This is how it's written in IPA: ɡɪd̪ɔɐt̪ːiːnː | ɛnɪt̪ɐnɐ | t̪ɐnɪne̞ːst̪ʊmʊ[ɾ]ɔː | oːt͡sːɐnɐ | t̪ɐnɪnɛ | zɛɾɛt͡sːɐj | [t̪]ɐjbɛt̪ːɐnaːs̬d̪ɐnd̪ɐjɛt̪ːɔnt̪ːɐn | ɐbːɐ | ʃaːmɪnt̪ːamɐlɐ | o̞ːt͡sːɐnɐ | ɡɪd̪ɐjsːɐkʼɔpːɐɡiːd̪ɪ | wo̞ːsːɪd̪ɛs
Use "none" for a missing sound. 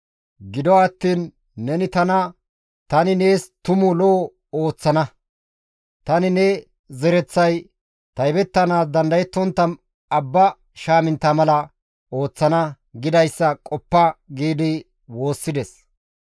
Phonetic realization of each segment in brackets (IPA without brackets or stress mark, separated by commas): l, t̪